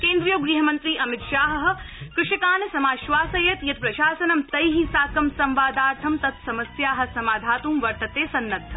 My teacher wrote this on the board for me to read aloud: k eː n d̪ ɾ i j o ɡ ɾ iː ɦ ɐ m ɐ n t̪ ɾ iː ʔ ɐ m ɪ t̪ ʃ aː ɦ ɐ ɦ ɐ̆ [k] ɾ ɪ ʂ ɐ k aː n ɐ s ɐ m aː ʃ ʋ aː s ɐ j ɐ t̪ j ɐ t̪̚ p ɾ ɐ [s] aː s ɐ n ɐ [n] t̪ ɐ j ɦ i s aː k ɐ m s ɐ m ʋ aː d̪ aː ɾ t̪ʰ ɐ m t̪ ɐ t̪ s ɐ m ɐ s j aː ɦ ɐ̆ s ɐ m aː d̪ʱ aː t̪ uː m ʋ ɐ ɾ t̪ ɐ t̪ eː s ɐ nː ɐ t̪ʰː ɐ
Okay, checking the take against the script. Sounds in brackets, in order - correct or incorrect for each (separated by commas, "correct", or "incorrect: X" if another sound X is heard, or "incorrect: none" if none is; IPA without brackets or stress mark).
correct, incorrect: ʃ, incorrect: m